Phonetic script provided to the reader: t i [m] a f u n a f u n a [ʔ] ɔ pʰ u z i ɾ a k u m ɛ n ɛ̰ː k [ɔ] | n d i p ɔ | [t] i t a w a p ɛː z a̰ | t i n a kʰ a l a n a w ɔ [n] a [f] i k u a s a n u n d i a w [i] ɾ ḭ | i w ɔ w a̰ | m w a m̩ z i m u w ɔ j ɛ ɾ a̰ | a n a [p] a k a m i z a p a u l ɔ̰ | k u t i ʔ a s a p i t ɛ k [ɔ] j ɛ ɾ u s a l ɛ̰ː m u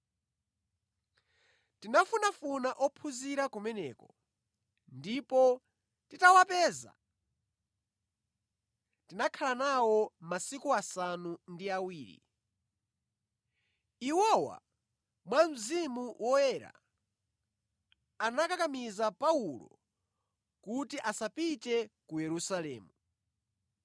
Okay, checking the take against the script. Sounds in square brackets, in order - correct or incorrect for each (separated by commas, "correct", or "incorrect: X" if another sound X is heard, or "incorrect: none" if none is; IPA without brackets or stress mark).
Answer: incorrect: n, correct, correct, correct, incorrect: m, incorrect: s, incorrect: iː, incorrect: k, incorrect: u